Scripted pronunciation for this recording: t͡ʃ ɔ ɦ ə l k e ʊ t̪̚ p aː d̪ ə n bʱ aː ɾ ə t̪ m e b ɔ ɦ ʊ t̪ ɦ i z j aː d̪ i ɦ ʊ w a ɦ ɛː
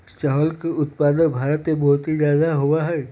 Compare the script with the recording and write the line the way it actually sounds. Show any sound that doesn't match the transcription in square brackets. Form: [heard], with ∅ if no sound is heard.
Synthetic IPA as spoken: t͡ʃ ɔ ɦ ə l k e ʊ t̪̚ p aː d̪ ə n bʱ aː ɾ ə t̪ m e b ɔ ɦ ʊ t̪ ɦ i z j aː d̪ [a] ɦ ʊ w a ɦ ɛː

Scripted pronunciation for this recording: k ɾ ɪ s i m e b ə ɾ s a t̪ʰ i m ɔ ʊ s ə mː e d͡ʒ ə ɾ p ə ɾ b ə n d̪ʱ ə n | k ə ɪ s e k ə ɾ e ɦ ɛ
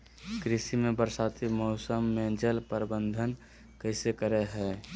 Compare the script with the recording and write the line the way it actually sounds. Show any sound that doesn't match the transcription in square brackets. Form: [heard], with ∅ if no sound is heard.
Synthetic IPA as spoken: k ɾ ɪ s i m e b ə ɾ s a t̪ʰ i m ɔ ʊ s ə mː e d͡ʒ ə [l] p ə ɾ b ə n d̪ʱ ə n | k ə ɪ s e k ə ɾ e ɦ ɛ

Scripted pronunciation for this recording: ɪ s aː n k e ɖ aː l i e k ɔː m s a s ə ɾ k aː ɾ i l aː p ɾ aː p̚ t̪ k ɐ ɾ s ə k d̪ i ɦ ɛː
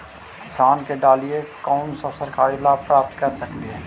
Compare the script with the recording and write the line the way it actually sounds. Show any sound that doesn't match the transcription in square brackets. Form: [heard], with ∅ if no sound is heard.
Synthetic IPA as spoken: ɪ s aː n k e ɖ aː l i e k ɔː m s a s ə ɾ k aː ɾ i l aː p ɾ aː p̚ t̪ k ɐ ɾ s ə k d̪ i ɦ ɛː

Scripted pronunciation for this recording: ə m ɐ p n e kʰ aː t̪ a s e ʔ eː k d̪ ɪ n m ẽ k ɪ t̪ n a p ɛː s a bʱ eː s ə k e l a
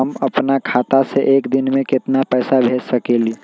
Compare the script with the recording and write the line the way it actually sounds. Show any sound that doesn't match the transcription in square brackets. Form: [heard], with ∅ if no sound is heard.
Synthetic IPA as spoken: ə m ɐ p n [a] kʰ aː t̪ a s e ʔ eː k d̪ ɪ n m ẽ k ɪ t̪ n a p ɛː s a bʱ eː s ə k e l [i]

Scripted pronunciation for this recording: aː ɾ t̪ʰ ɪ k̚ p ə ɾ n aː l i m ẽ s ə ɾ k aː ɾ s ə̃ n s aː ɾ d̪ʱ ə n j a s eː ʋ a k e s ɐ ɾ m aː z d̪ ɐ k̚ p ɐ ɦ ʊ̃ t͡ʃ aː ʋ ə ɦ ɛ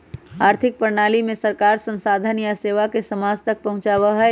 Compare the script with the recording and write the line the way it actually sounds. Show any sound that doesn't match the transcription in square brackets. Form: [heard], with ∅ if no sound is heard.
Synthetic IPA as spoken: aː ɾ t̪ʰ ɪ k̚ p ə ɾ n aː l i m ẽ s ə ɾ k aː ɾ s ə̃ n s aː [∅] d̪ʱ ə n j a s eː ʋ a k e s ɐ [∅] m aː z [t̪] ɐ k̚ p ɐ ɦ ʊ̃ t͡ʃ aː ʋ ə ɦ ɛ

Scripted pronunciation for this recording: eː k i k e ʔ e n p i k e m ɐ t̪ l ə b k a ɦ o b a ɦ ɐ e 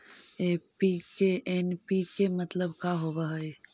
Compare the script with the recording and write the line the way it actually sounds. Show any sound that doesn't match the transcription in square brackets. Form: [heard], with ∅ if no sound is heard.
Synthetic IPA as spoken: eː [p] i k e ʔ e n p i k e m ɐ t̪ l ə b k a ɦ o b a ɦ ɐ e

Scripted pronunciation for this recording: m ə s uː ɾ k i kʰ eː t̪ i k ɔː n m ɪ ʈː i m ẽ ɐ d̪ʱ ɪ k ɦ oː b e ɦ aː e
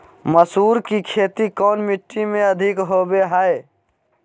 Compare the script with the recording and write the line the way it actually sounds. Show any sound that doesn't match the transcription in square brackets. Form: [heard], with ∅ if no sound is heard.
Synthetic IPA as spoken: m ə s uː ɾ k i kʰ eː t̪ i k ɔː n m ɪ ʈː i m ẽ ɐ d̪ʱ ɪ k ɦ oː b e ɦ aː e

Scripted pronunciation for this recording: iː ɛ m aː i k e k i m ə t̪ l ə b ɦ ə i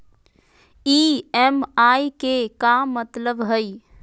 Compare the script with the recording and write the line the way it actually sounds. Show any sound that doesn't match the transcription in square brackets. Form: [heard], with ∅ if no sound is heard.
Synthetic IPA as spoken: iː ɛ m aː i k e k [a] m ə t̪ l ə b ɦ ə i

